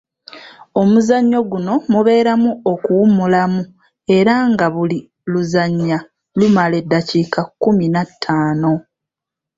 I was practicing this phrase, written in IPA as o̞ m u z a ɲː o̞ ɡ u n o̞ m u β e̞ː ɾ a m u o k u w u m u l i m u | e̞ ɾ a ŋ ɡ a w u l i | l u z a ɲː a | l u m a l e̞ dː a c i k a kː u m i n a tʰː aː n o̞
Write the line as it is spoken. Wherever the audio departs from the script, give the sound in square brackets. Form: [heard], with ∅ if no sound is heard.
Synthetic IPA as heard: o̞ m u z a ɲː o̞ ɡ u n o̞ m u β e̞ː ɾ a m u o k u w u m u l [a] m u | e̞ ɾ a ŋ ɡ a [β] u l i | l u z a ɲː a | l u m a l e̞ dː a c i k a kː u m i n a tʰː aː n o̞

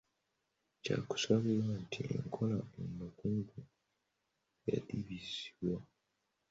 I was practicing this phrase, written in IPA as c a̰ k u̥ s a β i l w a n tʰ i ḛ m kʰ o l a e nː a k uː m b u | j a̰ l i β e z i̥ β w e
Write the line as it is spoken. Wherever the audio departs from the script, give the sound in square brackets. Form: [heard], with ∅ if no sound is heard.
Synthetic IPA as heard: c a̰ k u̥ s a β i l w a n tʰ i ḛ [ŋ] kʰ o l a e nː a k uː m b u | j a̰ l i β [i] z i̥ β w [a]

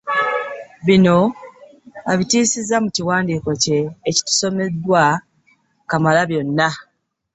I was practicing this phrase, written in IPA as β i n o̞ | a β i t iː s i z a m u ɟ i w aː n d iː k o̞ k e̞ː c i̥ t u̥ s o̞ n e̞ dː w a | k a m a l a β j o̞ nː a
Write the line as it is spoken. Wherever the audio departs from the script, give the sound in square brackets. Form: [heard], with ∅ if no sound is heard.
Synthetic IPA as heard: β i n o̞ | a β i t iː s i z a m u [c] i w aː n d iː k o̞ [c] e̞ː c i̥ t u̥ s o̞ [m] e̞ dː w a | k a m a l a β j o̞ nː a

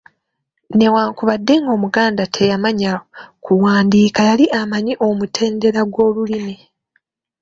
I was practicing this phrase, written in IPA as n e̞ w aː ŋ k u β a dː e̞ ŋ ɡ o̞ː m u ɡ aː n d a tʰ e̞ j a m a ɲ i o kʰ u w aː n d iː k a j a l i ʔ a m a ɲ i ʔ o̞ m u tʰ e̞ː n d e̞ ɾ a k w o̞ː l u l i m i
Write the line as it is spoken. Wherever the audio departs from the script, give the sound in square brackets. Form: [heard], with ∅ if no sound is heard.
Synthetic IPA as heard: n e̞ w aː ŋ k u β a dː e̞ ŋ ɡ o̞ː m u ɡ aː n d a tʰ e̞ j a m a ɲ [a] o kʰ u w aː n d iː k a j a l i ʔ a m a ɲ i ʔ o̞ m u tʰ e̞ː n d e̞ ɾ a [ɡ] w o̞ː l u l i m i

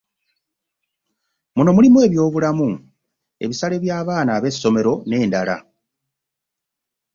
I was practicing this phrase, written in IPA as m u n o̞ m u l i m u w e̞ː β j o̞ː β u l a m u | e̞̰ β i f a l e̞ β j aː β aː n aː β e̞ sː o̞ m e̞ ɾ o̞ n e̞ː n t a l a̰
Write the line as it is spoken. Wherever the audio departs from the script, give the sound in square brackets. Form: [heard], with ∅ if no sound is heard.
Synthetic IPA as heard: m u n o̞ m u l i m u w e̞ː β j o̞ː β u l a m u | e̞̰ β i [s] a l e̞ β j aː β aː n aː β e̞ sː o̞ m e̞ ɾ o̞ n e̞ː n [d] a l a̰

